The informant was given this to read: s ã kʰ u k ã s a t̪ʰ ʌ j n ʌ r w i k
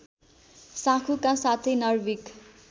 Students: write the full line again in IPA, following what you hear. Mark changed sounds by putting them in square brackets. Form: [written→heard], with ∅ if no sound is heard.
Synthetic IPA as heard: s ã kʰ u k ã s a t̪ʰ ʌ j n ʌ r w i k